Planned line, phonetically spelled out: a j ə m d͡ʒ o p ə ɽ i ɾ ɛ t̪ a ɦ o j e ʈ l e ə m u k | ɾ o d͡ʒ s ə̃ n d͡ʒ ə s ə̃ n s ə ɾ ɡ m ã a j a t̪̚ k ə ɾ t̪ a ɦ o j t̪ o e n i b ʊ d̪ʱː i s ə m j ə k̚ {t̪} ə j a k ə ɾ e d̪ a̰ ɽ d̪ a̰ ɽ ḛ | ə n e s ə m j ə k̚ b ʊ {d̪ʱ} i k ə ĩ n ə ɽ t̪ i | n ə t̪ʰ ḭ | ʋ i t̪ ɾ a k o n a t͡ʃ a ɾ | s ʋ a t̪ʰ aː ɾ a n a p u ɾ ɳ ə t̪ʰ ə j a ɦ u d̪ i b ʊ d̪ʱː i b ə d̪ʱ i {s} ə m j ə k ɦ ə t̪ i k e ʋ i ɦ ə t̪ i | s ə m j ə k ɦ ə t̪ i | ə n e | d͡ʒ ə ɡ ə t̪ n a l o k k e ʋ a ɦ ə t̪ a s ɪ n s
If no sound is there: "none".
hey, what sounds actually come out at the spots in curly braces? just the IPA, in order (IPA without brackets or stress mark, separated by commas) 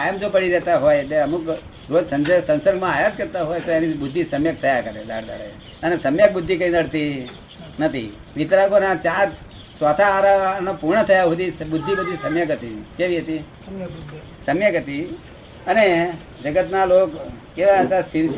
t̪ʰ, d̪ʱː, s